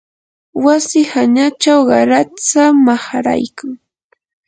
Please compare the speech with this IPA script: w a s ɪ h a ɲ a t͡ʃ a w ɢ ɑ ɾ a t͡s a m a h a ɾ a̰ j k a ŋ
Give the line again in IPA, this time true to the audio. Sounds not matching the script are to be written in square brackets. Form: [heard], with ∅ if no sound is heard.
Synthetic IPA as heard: w a s ɪ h a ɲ a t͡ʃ a w ɢ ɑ ɾ a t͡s a m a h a ɾ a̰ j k a ŋ